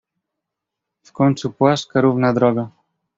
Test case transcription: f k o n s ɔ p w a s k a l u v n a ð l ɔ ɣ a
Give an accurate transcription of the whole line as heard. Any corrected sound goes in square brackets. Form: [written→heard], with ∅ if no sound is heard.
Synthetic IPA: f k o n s [ɔ→u] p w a s k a [l→ɾ] u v n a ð [l→ɾ] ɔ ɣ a